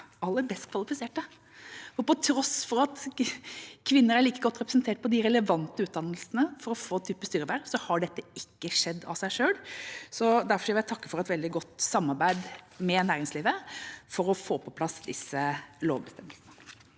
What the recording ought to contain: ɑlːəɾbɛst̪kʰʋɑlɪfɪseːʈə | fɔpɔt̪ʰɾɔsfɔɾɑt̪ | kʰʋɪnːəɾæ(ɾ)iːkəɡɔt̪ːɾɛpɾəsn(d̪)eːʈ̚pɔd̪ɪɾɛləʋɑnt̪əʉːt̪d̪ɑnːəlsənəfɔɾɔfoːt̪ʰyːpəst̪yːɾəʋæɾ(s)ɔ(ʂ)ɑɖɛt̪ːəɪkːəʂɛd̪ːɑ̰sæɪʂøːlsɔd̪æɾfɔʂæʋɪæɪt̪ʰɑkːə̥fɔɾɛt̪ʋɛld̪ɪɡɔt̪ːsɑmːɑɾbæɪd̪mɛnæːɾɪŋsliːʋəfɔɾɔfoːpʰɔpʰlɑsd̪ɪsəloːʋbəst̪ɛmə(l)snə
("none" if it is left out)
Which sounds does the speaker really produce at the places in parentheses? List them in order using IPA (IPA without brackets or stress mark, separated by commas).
ɭ, t̪, s, h, l